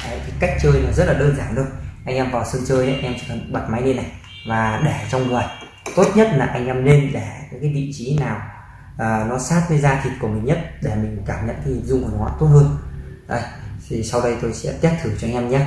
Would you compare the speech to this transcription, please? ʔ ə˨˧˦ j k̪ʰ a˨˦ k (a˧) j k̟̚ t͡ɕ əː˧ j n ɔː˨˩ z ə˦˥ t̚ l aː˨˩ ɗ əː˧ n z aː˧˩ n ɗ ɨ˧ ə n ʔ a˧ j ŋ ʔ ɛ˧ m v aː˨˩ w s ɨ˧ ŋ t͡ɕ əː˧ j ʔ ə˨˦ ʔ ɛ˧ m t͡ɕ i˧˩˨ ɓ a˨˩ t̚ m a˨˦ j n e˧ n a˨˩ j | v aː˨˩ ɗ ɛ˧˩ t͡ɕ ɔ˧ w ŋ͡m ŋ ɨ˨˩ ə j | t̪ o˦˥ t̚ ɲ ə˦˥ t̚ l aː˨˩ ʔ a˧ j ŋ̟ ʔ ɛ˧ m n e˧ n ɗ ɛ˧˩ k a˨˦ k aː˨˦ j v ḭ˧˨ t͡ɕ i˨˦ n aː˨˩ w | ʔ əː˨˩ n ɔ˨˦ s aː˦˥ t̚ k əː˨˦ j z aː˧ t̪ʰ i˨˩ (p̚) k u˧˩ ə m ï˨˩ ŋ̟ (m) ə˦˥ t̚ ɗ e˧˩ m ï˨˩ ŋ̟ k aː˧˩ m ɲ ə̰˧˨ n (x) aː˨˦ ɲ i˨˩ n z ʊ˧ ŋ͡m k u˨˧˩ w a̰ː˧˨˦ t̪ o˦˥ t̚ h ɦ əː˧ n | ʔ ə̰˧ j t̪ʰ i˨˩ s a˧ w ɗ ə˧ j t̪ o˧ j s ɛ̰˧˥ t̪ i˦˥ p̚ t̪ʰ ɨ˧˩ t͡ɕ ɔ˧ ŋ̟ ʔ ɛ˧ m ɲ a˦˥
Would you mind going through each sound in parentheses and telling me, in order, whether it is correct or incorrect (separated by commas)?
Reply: incorrect, incorrect, incorrect, incorrect